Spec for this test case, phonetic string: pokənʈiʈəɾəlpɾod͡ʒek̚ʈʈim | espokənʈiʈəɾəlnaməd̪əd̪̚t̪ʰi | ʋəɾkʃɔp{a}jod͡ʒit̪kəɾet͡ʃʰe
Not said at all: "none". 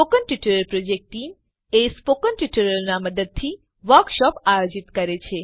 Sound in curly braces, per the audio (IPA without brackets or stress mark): a